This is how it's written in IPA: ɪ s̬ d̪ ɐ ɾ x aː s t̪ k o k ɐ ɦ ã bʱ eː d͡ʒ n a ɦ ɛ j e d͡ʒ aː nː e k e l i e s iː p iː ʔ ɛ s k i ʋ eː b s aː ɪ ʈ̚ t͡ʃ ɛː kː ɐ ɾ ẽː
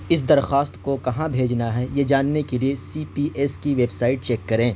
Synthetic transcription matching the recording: ɪ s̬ d̪ ɐ ɾ x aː s t̪ k o k ɐ ɦ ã bʱ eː d͡ʒ n a ɦ ɛ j e d͡ʒ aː nː e k e l i e s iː p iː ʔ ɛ s k i ʋ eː b s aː ɪ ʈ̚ t͡ʃ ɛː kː ɐ ɾ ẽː